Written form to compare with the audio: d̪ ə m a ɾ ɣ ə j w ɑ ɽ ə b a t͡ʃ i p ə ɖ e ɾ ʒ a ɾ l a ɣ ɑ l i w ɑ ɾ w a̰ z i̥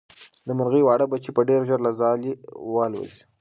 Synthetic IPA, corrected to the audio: d̪ ə m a ɾ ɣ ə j w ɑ ɽ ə b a t͡ʃ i p ə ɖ e ɾ ʒ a ɾ l a z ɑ l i w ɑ l w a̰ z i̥